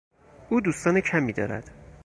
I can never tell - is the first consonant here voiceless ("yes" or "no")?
no